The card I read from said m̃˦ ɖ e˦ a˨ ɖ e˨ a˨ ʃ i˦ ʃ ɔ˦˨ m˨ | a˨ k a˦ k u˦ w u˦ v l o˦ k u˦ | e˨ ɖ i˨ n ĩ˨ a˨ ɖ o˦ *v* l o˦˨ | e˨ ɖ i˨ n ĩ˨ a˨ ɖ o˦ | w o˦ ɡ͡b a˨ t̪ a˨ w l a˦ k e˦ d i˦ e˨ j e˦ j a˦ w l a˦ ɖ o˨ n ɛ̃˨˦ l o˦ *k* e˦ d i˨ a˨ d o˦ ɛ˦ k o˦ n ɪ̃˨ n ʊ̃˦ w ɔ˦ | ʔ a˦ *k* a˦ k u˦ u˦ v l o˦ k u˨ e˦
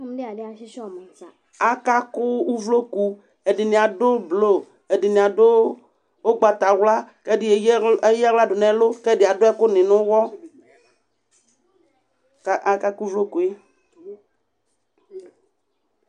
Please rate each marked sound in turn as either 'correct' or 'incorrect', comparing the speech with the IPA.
incorrect: b, correct, correct

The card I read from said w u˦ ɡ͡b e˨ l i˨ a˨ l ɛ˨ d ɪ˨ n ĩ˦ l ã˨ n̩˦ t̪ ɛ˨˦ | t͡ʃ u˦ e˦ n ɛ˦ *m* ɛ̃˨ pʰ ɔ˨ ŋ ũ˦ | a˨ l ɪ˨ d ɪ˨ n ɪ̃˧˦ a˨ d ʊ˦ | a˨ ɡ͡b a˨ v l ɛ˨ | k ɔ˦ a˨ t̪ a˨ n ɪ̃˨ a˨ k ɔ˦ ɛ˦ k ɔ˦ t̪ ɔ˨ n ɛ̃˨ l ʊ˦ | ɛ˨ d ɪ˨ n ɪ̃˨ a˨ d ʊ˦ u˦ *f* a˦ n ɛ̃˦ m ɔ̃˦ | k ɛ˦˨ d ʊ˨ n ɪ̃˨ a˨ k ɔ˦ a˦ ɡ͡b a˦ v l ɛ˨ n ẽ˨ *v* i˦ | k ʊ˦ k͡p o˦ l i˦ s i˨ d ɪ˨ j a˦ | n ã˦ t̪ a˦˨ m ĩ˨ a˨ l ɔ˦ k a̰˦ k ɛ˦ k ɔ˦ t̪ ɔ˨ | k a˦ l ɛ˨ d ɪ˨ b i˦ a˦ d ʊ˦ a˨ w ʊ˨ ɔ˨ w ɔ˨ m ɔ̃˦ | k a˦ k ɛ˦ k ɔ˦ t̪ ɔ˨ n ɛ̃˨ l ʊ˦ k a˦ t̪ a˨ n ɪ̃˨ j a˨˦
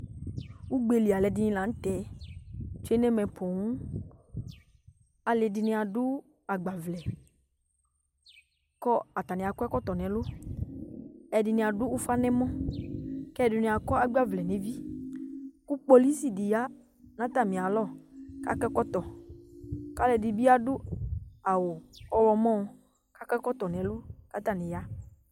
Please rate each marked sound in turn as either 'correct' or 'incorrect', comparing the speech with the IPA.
correct, correct, correct

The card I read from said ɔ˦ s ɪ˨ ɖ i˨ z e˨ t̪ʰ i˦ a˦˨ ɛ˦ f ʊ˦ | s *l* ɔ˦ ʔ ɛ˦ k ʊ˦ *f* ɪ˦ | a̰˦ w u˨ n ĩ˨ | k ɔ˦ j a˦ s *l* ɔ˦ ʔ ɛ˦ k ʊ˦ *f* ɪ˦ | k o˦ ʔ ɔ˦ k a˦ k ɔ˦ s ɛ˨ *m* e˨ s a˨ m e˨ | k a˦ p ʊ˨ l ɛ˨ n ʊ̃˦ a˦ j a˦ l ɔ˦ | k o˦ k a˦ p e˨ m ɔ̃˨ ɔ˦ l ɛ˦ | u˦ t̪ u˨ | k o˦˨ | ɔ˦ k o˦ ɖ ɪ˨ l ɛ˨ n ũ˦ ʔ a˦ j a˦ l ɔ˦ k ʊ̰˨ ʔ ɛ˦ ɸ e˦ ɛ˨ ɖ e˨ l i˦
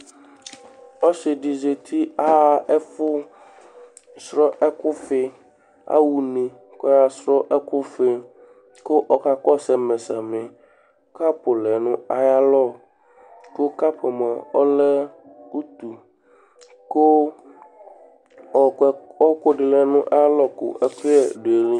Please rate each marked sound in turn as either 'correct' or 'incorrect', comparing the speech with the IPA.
incorrect: ɾ, correct, incorrect: ɾ, correct, correct

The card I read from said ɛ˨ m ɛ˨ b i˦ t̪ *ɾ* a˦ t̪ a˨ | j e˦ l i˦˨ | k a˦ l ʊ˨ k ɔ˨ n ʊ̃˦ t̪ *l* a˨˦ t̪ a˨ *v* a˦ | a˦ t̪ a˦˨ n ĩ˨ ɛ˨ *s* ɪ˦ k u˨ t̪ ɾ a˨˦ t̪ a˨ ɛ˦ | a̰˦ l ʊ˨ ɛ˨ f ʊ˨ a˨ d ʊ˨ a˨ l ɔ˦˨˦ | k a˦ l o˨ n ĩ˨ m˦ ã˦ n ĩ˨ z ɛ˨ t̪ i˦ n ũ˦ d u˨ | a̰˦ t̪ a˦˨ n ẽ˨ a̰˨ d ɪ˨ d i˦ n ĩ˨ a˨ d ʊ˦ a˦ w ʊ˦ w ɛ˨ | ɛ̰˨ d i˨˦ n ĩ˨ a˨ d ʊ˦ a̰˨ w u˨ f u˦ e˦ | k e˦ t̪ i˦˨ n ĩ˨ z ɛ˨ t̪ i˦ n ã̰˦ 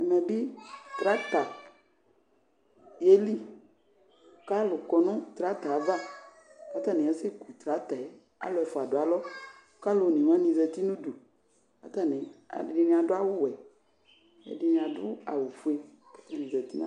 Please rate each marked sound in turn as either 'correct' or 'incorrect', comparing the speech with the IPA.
correct, incorrect: ɾ, correct, correct

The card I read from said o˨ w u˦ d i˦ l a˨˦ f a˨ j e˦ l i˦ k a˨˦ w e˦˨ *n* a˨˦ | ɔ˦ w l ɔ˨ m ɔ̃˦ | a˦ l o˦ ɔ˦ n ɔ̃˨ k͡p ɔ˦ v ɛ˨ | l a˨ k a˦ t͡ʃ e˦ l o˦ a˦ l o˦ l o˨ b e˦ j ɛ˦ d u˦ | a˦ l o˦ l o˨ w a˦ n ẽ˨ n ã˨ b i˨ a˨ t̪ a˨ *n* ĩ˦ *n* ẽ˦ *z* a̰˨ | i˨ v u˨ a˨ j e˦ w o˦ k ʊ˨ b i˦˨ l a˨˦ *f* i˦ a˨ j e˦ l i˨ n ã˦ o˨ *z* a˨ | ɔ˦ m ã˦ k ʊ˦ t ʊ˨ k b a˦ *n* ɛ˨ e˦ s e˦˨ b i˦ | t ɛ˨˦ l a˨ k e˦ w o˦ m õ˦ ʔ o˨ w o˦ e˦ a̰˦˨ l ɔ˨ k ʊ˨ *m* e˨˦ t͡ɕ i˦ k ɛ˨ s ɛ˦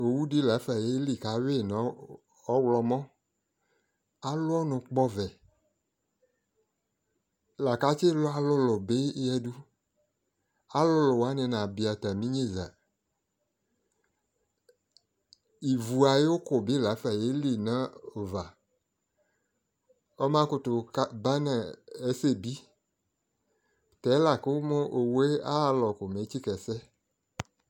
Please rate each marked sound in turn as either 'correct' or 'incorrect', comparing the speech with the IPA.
correct, incorrect: m, incorrect: ɲ, correct, correct, incorrect: v, correct, correct

